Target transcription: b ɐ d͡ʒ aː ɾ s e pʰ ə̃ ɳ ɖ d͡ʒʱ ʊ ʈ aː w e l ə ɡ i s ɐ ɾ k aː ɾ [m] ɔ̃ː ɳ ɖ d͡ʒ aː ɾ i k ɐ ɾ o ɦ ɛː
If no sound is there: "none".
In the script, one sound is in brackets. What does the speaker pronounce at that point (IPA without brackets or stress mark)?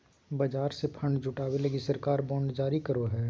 b